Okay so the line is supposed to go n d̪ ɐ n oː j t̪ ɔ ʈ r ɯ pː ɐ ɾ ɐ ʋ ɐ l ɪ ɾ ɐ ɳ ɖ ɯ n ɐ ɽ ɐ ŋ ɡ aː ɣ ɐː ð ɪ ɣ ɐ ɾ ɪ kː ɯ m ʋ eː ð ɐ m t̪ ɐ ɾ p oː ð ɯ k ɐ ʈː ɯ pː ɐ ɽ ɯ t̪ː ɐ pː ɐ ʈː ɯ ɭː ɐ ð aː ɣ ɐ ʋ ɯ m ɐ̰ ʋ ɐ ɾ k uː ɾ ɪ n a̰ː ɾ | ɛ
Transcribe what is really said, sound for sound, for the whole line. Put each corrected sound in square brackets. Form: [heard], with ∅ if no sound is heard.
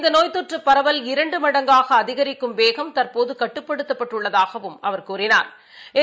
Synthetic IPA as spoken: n d̪ ɐ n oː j t̪ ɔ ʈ r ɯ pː ɐ ɾ ɐ ʋ ɐ l ɪ ɾ ɐ ɳ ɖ ɯ [m] ɐ ɽ ɐ ŋ ɡ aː ɣ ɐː ð ɪ ɣ ɐ ɾ ɪ kː ɯ m ʋ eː [ɣ] ɐ m t̪ ɐ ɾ p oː ð ɯ k ɐ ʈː ɯ pː ɐ ɽ ɯ t̪ː ɐ pː ɐ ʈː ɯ ɭː ɐ ð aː ɣ ɐ ʋ ɯ m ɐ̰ ʋ ɐ ɾ k uː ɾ ɪ n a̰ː ɾ | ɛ